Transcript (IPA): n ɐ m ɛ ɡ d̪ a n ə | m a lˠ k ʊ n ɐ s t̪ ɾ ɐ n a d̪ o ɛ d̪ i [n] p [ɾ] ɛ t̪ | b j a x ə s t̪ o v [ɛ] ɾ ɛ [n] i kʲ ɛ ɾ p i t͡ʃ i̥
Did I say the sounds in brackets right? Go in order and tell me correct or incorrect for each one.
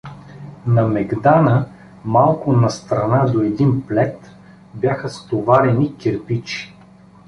correct, incorrect: l, incorrect: a, correct

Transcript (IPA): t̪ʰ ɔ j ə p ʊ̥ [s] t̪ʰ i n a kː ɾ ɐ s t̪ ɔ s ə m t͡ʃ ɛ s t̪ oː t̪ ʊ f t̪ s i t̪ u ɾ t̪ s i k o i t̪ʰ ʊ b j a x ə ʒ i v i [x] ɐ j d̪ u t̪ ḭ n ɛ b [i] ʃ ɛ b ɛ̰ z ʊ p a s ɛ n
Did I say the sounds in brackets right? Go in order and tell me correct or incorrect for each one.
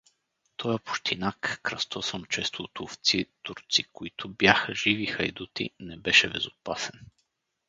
incorrect: ʃ, correct, incorrect: ɛ

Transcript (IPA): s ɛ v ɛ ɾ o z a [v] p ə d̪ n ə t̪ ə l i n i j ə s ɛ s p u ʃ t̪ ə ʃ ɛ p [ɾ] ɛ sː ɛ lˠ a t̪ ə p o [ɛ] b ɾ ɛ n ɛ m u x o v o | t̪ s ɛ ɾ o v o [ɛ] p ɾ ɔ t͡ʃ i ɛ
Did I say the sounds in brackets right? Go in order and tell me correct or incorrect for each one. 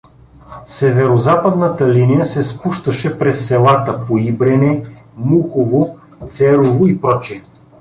incorrect: none, correct, incorrect: i, incorrect: i

